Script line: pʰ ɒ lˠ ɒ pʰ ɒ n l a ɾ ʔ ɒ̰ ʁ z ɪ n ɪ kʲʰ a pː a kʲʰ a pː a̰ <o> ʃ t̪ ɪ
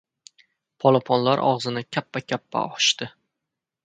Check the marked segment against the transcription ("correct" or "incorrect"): incorrect